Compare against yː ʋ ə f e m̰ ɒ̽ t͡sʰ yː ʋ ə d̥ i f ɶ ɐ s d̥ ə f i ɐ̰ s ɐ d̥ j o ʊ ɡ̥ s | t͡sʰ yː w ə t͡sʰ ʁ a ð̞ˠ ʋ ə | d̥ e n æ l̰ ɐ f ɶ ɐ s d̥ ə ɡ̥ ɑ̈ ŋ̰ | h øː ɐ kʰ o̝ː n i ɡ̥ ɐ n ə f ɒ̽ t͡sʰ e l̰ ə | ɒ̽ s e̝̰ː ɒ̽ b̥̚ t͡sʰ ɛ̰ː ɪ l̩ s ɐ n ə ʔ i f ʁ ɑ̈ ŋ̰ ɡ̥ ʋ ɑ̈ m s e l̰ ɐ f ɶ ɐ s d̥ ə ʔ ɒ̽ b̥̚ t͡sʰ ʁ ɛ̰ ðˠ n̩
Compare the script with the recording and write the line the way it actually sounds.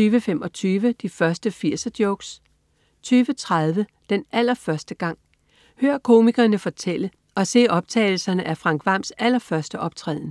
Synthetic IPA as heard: yː ʋ ə f e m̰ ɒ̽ t͡sʰ yː ʋ ə d̥ i f ɶ ɐ s d̥ ə f i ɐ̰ s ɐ d̥ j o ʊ ɡ̥ s | t͡sʰ yː ʋ ə t͡sʰ ʁ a ð̞ˠ ʋ ə | d̥ e n æ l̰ ɐ f ɶ ɐ s d̥ ə ɡ̥ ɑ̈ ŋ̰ | h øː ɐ kʰ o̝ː m i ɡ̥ ɐ n ə f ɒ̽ t͡sʰ e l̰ ə | ɒ̽ s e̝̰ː ɒ̽ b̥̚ t͡sʰ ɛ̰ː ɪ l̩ s ɐ n ə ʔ æ f ʁ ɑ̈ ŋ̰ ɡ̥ ʋ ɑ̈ m s æ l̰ ɐ f ɶ ɐ s d̥ ə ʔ ɒ̽ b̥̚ t͡sʰ ʁ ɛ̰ ðˠ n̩